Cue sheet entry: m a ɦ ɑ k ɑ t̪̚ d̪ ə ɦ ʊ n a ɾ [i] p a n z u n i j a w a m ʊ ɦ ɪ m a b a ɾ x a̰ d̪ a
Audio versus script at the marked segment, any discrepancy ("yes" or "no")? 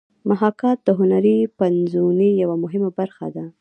no